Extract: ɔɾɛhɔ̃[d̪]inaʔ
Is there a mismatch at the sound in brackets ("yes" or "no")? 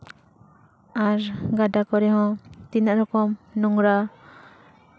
yes